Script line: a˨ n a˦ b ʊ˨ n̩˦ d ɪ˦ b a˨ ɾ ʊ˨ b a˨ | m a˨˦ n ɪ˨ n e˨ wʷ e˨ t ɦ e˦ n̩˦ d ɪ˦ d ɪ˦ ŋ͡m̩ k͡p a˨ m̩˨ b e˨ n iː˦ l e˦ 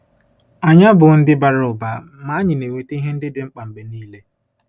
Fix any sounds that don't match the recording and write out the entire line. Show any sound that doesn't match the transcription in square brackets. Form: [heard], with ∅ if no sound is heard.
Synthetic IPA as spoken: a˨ [ɲ] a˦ b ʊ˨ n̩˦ d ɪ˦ b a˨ ɾ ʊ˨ b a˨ | m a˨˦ [ɲ] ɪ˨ n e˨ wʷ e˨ t ɦ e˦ n̩˦ d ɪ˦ d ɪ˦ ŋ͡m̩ k͡p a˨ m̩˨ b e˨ n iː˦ l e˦